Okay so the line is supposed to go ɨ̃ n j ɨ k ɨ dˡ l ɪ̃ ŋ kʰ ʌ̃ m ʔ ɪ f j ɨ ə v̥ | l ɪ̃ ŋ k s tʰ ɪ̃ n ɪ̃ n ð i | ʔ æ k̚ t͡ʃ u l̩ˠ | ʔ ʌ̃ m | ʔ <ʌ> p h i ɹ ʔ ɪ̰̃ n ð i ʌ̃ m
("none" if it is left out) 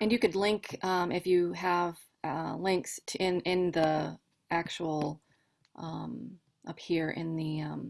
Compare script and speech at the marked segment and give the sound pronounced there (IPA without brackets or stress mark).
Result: ʌ